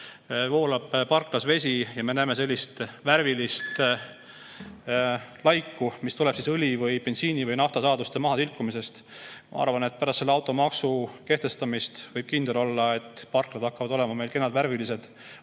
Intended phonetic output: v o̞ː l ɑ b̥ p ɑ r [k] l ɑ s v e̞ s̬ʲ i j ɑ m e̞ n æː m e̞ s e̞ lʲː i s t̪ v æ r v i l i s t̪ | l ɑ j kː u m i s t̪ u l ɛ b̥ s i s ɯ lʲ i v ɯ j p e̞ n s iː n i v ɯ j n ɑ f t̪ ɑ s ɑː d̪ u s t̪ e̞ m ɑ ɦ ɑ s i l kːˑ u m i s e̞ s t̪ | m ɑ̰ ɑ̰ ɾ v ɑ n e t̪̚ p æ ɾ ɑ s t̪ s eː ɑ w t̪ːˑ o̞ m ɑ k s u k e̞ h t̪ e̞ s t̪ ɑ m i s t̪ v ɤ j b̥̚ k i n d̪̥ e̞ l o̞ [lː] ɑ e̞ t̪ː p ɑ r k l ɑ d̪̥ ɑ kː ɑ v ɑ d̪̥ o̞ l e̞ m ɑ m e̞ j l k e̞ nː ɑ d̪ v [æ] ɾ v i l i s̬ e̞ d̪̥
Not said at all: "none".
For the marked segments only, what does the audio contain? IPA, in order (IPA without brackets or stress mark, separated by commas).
k, lː, æ